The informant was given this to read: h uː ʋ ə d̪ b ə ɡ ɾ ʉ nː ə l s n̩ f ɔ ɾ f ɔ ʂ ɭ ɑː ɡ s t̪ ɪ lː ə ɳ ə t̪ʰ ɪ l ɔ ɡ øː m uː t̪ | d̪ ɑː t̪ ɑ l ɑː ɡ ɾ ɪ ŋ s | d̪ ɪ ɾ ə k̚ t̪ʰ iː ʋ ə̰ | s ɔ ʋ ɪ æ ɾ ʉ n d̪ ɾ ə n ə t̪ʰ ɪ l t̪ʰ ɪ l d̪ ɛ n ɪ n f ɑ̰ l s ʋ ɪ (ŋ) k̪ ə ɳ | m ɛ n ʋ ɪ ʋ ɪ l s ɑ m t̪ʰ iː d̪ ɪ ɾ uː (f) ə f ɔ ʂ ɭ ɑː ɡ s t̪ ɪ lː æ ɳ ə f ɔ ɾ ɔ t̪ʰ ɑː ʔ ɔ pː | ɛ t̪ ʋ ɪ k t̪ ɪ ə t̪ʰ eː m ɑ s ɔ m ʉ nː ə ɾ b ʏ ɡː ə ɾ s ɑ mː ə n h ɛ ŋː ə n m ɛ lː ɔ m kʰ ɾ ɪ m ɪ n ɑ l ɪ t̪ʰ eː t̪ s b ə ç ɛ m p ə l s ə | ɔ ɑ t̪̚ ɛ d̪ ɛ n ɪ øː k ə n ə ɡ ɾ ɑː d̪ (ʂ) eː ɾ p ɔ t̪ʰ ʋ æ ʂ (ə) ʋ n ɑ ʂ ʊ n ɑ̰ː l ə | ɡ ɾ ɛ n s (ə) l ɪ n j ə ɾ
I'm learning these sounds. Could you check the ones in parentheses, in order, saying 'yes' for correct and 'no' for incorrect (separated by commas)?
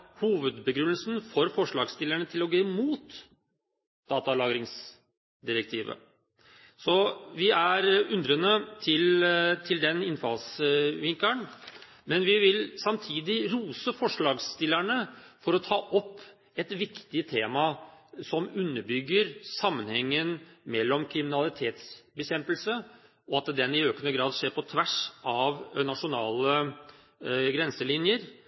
yes, no, yes, no, yes